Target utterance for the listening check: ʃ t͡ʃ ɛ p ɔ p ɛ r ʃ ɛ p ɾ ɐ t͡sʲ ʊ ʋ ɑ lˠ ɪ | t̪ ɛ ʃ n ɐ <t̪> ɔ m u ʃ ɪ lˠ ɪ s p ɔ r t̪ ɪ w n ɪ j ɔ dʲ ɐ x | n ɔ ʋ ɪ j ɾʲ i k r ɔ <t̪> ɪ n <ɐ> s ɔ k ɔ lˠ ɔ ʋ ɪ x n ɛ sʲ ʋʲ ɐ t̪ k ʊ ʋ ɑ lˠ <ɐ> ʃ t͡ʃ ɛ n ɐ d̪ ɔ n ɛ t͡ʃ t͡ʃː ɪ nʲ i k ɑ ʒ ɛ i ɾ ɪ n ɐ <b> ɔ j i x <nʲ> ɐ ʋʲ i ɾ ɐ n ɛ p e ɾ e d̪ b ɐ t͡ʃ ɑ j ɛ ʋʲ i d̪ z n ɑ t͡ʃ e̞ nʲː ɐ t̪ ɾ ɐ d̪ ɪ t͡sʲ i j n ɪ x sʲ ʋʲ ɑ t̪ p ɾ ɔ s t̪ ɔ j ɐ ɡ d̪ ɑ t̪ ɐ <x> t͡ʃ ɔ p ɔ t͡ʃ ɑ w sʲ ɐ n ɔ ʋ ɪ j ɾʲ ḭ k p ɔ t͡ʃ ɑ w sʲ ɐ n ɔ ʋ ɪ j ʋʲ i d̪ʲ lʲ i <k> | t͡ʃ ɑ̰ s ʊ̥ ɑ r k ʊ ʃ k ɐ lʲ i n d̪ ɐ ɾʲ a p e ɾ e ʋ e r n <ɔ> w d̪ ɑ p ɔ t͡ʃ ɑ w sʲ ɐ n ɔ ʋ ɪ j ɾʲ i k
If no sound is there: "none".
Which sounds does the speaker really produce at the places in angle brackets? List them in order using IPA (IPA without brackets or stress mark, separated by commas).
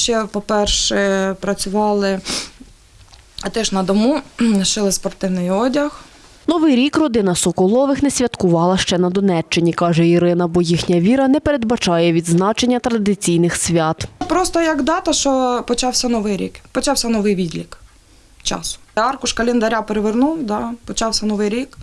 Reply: d̪, d̪, ɐ, ɐ, b, nʲ, ʃ, k, u